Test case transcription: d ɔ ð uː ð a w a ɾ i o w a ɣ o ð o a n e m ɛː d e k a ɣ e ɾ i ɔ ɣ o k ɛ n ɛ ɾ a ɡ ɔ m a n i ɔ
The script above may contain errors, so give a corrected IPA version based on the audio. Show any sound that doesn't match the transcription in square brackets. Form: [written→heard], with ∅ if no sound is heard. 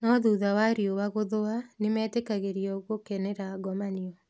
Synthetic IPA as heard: [d→n] ɔ ð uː ð a w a ɾ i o w a ɣ o ð o a n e m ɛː [d→t] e k a ɣ e ɾ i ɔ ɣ o k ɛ n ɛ ɾ a ɡ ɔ m a n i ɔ